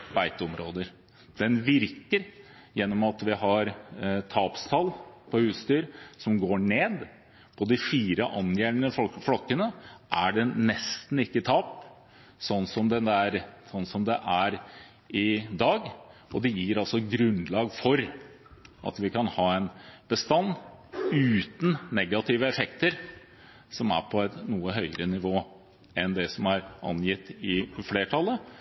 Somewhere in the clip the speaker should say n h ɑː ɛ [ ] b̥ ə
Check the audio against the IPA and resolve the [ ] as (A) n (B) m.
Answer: A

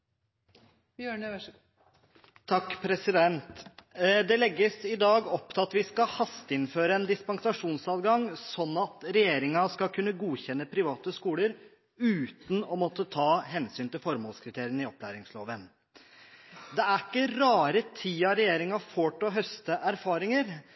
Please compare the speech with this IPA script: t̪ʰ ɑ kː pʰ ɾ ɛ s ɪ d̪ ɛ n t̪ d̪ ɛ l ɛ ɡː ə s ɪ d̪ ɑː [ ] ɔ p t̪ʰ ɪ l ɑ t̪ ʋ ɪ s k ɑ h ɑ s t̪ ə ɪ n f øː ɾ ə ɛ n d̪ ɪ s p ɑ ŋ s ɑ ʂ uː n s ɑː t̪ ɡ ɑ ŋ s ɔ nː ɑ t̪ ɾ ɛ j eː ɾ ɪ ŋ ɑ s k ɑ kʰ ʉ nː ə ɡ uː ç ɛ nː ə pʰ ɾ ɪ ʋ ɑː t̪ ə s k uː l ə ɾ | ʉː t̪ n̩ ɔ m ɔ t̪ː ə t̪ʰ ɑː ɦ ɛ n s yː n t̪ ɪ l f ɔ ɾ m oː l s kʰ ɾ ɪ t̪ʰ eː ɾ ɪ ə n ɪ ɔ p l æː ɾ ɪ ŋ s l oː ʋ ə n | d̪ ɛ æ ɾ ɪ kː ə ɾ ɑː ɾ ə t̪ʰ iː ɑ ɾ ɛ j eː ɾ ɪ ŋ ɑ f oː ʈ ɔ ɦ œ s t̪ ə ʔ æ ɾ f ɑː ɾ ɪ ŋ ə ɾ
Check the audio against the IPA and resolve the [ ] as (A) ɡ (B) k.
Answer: A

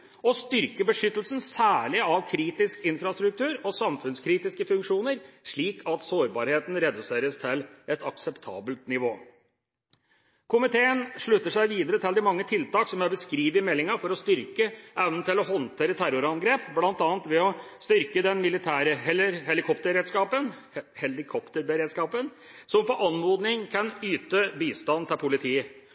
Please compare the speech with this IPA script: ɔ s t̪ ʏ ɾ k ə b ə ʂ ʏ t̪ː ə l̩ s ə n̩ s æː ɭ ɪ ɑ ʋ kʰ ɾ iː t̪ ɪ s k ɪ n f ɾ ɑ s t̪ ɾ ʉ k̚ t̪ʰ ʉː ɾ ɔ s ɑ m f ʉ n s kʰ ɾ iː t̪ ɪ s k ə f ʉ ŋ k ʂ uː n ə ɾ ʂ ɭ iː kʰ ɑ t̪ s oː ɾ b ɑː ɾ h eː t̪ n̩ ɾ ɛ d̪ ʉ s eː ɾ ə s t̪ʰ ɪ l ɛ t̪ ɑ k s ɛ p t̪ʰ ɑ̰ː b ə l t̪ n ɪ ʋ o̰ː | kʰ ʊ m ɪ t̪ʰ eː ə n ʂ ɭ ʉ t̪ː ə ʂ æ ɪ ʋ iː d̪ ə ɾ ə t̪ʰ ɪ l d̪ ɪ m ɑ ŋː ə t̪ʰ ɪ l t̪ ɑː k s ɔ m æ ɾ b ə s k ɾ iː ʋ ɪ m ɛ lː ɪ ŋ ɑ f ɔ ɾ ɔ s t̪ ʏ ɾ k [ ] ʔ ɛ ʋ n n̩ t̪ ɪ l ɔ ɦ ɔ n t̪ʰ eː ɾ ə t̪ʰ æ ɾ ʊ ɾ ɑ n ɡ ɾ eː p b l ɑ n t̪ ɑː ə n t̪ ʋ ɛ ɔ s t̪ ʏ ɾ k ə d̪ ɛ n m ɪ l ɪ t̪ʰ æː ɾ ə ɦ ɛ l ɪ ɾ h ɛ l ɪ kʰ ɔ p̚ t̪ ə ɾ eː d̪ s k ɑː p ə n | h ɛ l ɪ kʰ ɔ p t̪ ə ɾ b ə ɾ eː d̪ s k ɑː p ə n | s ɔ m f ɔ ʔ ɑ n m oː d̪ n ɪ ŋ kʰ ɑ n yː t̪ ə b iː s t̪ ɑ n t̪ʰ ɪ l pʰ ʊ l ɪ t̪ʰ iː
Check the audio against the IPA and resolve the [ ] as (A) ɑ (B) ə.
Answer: B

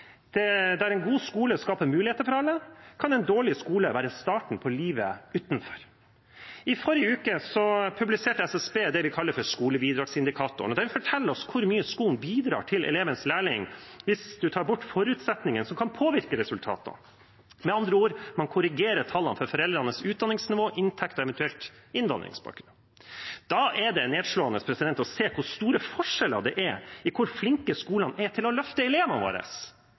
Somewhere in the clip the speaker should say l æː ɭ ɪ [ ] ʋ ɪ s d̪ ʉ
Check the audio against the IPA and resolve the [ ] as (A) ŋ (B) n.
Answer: A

